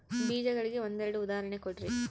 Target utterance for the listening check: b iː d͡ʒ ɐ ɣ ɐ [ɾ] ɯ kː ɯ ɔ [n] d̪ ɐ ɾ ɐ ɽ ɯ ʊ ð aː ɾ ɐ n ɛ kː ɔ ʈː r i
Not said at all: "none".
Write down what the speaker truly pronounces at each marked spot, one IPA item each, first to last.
ɭ, n

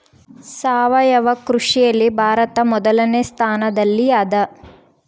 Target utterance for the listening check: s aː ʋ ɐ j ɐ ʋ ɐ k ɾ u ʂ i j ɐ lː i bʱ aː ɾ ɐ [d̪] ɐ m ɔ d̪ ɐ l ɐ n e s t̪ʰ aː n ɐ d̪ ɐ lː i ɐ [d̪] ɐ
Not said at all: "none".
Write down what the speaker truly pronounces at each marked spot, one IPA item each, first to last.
t̪, d̪

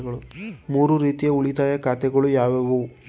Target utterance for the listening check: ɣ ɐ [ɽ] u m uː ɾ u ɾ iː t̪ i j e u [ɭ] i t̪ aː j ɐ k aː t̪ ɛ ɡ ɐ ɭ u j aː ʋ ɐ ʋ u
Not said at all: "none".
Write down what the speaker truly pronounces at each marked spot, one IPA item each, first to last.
ɭ, ɭ

